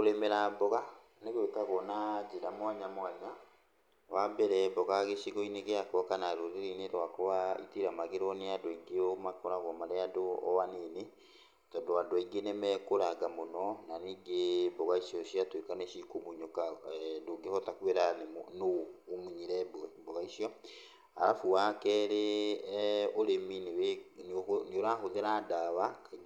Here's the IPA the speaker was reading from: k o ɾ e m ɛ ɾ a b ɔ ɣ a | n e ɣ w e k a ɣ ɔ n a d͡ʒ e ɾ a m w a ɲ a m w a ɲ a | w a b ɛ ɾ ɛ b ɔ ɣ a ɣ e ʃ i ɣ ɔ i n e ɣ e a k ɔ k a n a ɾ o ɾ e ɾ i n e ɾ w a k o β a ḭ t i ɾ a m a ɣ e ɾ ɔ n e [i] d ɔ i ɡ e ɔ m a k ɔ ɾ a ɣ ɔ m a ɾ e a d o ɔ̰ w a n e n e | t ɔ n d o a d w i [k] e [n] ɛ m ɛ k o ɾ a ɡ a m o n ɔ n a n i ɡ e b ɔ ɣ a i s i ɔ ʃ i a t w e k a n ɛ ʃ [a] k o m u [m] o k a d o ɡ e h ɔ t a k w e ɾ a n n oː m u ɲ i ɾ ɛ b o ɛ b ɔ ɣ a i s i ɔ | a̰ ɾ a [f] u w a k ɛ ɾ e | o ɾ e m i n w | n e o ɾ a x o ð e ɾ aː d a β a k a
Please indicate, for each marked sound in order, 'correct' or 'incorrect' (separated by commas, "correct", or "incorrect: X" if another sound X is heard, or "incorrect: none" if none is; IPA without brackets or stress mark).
incorrect: a, incorrect: ɡ, correct, incorrect: i, incorrect: ɲ, correct